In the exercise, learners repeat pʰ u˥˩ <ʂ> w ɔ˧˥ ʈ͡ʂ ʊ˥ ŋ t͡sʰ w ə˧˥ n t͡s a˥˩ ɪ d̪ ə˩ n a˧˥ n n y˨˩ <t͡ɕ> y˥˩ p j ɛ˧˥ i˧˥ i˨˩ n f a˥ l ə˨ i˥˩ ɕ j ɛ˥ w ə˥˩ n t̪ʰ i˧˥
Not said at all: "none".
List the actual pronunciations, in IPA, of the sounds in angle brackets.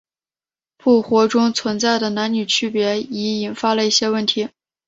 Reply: x, t͡ɕʰ

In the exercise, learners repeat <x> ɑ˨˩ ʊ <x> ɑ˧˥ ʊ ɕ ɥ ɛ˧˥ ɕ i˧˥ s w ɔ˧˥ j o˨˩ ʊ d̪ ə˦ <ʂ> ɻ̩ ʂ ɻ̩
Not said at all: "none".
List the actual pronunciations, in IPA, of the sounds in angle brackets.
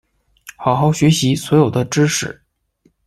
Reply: x, x, ʈ͡ʂ

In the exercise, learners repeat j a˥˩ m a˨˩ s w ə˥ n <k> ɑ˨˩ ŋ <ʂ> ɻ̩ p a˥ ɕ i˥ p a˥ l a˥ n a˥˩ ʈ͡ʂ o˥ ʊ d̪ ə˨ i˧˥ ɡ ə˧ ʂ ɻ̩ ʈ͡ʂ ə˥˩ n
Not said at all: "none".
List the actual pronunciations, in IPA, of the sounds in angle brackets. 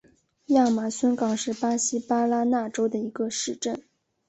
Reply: k, ʂ

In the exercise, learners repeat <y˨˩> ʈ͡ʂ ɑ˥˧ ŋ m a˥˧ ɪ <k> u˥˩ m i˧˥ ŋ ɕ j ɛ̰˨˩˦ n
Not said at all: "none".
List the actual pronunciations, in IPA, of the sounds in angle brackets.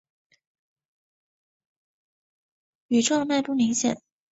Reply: y˨˩, p

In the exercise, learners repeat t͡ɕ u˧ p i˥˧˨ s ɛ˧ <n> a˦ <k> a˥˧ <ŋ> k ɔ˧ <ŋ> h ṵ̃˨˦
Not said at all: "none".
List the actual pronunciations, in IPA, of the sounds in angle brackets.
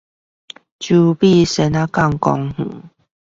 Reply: n, k, ŋ, ŋ

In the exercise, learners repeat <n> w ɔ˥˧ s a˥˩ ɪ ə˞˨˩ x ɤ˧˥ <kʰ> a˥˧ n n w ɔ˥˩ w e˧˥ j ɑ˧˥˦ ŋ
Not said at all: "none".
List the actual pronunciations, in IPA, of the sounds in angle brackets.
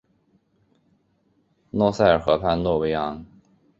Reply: n, pʰ

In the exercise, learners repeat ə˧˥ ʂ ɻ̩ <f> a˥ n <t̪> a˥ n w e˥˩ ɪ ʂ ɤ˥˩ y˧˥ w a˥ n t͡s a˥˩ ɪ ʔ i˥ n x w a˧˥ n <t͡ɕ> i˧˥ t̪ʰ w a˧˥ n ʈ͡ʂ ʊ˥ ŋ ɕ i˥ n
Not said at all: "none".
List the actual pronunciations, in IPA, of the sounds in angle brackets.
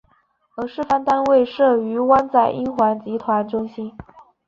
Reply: f, t̪, t͡ɕ

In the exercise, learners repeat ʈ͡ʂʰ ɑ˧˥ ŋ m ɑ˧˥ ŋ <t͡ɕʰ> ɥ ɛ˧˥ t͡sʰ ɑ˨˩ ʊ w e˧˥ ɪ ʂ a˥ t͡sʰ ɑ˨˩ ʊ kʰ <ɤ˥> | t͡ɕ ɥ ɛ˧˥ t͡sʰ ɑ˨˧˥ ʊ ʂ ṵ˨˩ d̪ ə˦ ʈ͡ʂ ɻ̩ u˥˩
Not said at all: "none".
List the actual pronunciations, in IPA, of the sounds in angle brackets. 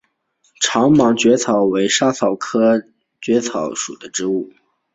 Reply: t͡ɕ, ɤ˥

